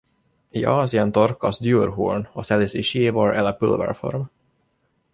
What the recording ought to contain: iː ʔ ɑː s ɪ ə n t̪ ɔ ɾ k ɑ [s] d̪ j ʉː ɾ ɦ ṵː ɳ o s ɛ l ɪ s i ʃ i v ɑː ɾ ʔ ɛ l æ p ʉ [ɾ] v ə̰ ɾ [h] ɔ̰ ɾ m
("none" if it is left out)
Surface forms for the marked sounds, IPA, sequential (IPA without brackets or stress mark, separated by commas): s, l, f